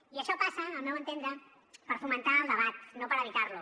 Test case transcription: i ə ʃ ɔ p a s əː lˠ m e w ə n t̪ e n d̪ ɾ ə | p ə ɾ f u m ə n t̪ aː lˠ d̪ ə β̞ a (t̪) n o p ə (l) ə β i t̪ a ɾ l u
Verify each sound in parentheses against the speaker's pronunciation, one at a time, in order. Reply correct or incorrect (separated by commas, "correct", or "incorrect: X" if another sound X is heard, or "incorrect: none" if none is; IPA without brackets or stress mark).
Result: correct, incorrect: ɾ